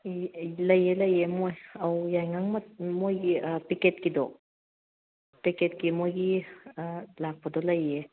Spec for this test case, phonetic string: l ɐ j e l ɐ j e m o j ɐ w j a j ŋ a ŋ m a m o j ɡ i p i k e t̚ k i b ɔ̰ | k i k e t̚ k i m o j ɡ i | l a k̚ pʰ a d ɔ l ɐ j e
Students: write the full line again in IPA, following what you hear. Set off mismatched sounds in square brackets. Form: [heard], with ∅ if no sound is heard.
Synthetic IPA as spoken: l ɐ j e l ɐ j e m o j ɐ w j a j ŋ a ŋ m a m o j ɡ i p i k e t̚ k i [d] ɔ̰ | [p] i k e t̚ k i m o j ɡ i | l a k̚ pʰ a d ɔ l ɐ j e

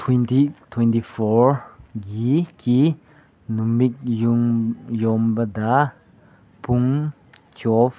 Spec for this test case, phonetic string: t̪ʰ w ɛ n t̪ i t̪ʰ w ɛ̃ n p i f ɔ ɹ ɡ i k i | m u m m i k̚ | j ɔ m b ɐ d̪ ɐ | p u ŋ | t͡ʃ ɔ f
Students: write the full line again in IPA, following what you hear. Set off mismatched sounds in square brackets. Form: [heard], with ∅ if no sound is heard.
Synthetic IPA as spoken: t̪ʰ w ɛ n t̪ i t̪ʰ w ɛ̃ n [t] i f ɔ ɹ ɡ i k i | [n] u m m i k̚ | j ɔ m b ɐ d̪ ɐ | p u ŋ | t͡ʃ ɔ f

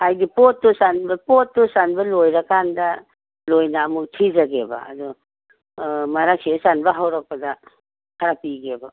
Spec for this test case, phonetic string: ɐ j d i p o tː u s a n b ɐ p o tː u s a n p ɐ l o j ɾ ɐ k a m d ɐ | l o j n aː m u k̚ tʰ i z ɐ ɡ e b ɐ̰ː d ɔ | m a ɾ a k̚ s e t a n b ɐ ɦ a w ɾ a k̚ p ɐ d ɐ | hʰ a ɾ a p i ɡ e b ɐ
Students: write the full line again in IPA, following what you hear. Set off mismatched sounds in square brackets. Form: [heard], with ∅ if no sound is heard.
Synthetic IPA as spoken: [a] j d i p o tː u s a n b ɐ p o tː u s a n [b] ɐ l o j ɾ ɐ k a [n] d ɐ | l o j n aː m u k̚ tʰ i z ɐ ɡ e b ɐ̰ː d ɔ | m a ɾ a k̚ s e [s] a n b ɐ ɦ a w ɾ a k̚ p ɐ d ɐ | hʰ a ɾ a p i ɡ e b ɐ

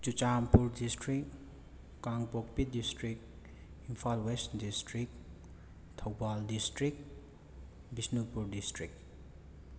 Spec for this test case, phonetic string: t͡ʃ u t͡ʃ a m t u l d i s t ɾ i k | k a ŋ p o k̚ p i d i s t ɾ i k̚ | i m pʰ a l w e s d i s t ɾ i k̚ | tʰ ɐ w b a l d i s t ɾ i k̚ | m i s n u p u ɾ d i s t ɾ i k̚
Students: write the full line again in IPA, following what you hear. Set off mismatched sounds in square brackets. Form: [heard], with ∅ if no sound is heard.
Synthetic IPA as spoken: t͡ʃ u t͡ʃ a m [p] u [ɾ] d i s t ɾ i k | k a ŋ p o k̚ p i d i s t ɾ i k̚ | i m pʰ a l w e s d i s t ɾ i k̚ | tʰ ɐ w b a l d i s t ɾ i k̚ | [b] i s n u p u ɾ d i s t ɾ i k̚

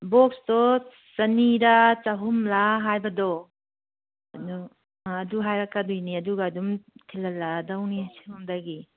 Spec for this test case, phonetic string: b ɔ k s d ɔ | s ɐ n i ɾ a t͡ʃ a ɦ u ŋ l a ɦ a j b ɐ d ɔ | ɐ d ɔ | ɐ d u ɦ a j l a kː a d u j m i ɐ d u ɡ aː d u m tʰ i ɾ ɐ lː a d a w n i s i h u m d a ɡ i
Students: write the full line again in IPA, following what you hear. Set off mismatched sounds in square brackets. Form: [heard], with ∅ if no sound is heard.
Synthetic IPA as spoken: b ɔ k s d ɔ | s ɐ n i ɾ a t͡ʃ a ɦ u [m] l a ɦ a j b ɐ d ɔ | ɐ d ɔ | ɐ d u ɦ a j [ɾ] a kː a d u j [n] i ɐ d u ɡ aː d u m tʰ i [l] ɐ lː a d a w n i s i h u m d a ɡ i

